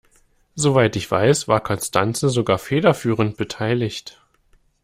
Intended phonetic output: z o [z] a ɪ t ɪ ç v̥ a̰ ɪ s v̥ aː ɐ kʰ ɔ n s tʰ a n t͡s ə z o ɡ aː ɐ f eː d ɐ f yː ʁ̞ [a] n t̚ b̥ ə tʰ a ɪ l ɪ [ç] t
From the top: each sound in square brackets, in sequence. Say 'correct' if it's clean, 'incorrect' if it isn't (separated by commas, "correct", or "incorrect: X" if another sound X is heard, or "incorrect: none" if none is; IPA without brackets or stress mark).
incorrect: v, incorrect: ə, correct